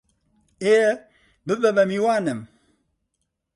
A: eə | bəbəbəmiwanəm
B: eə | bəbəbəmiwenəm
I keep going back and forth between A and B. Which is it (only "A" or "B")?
A